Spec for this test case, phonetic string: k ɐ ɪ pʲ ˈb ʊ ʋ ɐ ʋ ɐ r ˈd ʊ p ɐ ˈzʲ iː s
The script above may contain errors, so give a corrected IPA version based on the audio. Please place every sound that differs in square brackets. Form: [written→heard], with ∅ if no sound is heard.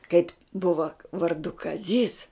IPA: k ɐ ɪ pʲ ˈb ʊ ʋ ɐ ʋ ɐ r ˈd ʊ [p→k] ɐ ˈzʲ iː s